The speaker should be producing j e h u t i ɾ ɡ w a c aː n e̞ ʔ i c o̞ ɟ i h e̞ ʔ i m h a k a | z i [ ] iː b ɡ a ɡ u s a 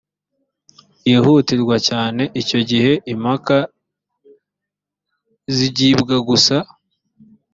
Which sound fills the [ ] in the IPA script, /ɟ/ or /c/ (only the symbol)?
ɟ